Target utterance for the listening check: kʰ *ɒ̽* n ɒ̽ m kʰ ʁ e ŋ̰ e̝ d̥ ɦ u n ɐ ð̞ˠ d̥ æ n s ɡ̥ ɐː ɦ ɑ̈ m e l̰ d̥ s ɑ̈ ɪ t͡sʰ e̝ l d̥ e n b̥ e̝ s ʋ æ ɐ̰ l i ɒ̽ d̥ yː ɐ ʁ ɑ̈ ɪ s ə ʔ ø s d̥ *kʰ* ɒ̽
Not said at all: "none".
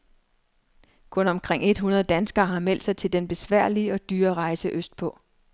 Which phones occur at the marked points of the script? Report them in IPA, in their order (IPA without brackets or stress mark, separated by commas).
ɔ̽, pʰ